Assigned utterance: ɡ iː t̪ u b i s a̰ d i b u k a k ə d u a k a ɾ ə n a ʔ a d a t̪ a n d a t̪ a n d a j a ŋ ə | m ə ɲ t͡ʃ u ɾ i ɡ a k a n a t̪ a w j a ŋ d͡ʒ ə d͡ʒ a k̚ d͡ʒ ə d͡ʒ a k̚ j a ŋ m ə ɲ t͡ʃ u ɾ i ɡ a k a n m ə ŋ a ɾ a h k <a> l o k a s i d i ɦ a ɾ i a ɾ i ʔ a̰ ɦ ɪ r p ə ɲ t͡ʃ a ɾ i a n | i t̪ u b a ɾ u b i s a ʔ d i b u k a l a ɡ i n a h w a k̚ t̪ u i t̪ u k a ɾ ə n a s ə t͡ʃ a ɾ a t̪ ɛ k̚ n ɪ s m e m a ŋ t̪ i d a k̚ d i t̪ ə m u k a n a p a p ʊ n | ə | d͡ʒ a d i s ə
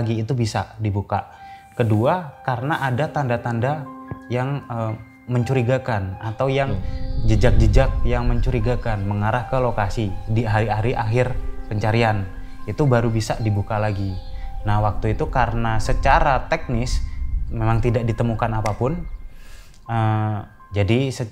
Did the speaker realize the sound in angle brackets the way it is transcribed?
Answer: no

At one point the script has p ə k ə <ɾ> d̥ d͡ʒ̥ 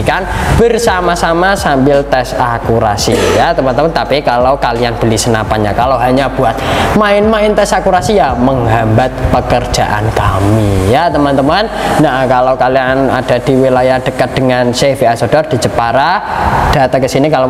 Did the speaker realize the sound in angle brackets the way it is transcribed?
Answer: no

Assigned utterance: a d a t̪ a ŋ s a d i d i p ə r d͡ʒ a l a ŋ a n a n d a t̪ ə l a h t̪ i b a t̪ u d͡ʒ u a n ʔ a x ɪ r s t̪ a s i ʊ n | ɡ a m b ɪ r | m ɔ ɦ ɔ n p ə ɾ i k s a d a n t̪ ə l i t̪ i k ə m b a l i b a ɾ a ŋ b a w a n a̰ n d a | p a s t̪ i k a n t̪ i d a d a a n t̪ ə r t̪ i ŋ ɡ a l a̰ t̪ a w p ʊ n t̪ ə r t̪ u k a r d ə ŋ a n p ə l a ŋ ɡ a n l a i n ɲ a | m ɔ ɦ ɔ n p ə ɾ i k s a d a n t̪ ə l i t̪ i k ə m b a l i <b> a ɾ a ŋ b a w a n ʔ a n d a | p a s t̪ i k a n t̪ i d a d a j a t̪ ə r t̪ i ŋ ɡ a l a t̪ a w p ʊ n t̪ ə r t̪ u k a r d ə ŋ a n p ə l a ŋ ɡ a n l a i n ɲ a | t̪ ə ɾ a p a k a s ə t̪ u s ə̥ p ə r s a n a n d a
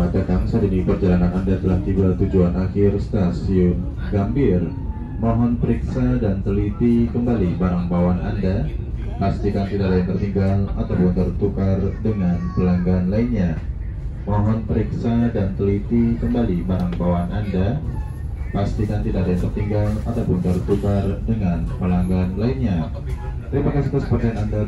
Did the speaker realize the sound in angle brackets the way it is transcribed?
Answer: yes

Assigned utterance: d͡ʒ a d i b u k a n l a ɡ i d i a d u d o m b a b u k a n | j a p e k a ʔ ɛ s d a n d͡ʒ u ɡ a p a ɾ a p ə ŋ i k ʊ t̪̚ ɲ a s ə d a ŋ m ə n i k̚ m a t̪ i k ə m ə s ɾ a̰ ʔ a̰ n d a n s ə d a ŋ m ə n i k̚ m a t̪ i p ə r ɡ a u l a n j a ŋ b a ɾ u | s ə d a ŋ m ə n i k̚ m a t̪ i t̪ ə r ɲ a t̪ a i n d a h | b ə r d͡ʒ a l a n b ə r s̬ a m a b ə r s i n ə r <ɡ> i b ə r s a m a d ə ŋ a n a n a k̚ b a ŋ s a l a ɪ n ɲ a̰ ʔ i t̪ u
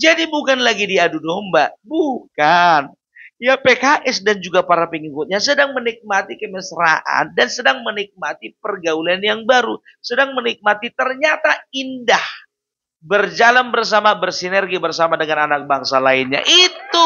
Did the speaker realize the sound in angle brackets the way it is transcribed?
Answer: yes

